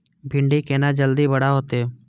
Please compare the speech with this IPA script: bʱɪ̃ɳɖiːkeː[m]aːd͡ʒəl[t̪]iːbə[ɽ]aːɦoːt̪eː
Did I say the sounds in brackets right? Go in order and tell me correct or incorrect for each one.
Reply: incorrect, incorrect, correct

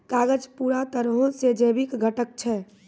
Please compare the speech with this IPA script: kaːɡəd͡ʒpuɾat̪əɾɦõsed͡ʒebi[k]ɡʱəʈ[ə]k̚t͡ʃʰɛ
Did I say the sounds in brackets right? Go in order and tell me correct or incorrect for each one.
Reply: correct, correct

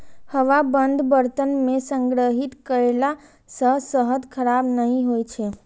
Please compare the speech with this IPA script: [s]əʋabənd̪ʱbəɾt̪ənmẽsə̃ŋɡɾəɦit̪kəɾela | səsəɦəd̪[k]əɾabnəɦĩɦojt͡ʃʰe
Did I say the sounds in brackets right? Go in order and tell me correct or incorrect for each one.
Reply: incorrect, incorrect

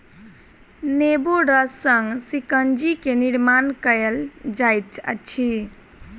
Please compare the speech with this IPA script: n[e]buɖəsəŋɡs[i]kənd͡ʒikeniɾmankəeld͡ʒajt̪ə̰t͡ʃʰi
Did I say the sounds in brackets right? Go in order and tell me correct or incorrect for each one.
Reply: correct, correct

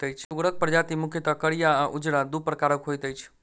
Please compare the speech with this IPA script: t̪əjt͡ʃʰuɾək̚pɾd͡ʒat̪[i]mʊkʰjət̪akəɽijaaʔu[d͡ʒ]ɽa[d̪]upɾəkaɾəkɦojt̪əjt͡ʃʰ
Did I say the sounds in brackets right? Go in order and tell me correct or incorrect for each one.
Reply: correct, correct, correct

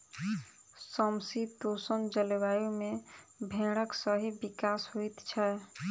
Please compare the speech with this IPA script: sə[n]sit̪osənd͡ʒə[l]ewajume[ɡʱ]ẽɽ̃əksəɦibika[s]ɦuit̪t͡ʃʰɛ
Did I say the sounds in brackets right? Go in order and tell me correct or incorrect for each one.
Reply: incorrect, correct, incorrect, correct

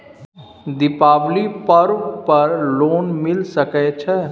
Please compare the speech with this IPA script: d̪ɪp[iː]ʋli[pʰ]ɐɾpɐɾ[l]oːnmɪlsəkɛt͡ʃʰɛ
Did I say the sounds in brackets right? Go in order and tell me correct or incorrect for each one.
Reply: incorrect, incorrect, correct

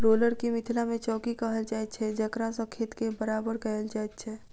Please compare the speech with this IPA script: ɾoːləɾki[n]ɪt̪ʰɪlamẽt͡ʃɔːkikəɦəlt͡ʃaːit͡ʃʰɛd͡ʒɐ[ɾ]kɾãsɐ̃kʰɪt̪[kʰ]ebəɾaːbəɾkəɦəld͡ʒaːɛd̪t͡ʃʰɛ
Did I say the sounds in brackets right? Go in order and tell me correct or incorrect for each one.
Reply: incorrect, incorrect, incorrect

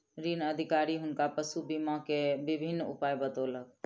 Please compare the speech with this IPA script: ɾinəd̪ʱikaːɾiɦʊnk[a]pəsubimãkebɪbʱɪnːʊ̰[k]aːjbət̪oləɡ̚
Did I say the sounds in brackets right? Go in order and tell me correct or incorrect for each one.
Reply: correct, incorrect

